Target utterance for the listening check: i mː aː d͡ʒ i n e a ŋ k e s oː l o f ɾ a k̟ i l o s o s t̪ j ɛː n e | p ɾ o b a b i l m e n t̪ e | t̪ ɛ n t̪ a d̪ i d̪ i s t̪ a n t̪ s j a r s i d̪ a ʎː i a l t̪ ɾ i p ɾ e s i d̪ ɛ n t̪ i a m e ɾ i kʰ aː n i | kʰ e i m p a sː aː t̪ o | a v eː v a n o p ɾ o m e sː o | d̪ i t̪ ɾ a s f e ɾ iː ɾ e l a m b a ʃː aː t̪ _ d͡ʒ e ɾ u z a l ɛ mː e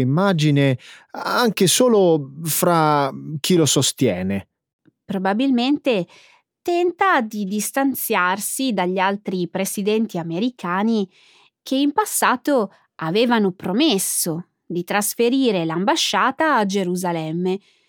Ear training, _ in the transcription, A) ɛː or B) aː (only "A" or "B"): B